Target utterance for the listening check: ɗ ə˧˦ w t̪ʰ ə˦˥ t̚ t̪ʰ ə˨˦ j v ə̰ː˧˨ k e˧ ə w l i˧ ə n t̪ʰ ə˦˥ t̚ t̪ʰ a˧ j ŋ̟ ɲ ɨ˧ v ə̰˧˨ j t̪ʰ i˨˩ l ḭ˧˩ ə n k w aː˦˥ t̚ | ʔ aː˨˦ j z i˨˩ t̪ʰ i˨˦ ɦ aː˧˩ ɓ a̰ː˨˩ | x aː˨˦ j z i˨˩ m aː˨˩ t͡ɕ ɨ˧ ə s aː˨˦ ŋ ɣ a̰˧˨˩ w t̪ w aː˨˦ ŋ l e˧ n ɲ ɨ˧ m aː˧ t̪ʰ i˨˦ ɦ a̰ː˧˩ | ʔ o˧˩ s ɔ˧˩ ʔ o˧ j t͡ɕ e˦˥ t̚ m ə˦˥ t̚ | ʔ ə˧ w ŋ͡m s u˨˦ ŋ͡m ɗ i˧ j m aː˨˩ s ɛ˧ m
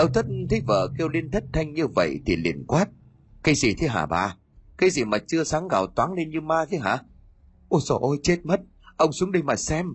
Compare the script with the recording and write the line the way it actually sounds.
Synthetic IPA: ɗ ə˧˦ w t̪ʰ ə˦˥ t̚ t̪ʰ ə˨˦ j v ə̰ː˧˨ k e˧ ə w l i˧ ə n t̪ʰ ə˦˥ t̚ t̪ʰ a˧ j ŋ̟ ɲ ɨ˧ v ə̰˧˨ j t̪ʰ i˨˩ l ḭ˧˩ ə n k w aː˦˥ t̚ | k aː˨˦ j z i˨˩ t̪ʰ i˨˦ ɦ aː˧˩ ɓ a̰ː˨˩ | k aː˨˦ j z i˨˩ m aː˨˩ t͡ɕ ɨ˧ ə s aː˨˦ ŋ ɣ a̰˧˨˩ w t̪ w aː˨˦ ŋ l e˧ n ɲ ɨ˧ m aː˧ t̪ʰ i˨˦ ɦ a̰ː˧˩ | ʔ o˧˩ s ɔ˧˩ ʔ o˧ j t͡ɕ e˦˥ t̚ m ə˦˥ t̚ | ʔ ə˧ w ŋ͡m s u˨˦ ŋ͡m ɗ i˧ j m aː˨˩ s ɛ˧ m